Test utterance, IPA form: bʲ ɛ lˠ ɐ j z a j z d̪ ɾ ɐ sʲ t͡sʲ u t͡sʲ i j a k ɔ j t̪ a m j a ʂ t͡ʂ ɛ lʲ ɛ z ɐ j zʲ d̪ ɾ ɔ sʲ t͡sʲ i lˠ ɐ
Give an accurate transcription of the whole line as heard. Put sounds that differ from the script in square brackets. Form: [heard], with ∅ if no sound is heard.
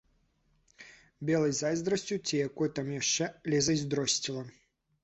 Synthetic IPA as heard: bʲ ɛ lˠ ɐ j z a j z d̪ ɾ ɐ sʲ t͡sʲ u t͡sʲ i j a k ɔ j t̪ a m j a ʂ t͡ʂ ɛ lʲ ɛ z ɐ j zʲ d̪ ɾ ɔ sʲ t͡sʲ i lˠ ɐ